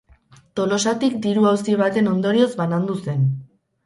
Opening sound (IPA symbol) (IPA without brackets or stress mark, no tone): t̪